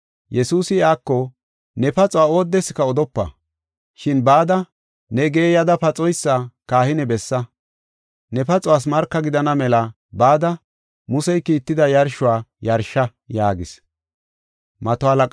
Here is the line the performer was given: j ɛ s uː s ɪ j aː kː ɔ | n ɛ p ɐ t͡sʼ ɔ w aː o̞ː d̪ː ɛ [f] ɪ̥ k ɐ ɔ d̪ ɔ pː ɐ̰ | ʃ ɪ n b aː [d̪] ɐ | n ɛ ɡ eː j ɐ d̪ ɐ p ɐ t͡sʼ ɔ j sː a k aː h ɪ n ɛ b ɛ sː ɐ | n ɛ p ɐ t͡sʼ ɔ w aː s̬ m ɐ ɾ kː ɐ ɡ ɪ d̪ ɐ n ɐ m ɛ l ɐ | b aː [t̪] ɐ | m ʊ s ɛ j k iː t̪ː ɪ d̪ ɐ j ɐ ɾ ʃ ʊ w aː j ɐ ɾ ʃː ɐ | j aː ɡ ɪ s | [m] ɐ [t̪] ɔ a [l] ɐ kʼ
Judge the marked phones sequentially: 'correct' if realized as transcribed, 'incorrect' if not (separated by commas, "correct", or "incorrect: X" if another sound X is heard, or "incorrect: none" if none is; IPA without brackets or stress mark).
incorrect: s, correct, incorrect: d̪, correct, correct, correct